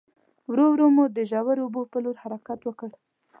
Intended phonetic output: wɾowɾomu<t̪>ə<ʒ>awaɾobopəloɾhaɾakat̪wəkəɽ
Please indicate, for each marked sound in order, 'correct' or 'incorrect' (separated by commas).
incorrect, correct